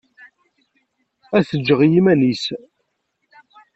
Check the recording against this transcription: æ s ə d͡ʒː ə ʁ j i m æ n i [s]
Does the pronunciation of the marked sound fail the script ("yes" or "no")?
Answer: no